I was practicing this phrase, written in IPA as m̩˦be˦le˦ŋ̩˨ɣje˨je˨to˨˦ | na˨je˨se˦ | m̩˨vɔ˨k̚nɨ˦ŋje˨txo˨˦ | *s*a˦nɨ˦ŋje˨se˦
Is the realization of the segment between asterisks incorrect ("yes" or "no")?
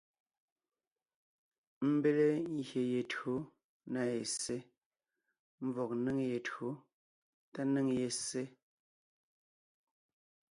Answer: yes